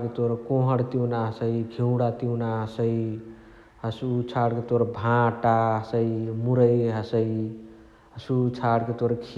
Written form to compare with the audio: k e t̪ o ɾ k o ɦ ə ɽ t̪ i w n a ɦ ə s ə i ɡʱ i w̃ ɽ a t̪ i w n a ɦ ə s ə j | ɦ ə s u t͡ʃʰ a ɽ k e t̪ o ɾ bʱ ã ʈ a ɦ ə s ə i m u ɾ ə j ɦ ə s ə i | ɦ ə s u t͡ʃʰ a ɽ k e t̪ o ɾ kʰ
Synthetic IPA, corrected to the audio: k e t̪ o ɾ k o ɦ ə ɽ t̪ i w n a ɦ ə s ə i ɡʱ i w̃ ɽ a t̪ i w n a ɦ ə s ə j | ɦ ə s u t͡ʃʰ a ɽ k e t̪ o ɾ bʱ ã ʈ a ɦ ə s ə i m u ɾ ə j ɦ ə s ə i | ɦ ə s u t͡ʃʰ a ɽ k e t̪ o ɾ kʰ